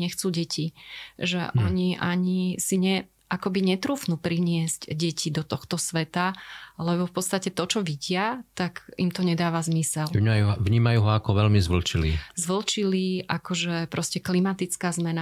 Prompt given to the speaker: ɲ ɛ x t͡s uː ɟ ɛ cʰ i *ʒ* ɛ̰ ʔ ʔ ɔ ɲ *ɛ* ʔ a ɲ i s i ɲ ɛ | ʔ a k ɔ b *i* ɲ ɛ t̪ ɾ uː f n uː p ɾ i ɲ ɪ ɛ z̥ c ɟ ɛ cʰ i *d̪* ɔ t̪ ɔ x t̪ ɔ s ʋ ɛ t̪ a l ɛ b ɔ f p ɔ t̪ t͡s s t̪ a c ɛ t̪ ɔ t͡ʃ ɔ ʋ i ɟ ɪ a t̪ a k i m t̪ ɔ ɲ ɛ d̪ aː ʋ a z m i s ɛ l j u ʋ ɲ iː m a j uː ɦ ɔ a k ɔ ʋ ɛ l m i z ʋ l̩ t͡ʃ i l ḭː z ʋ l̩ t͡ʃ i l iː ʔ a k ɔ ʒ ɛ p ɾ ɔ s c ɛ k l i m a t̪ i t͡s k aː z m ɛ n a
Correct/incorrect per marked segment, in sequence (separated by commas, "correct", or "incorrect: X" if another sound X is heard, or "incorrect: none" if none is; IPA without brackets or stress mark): correct, incorrect: i, correct, correct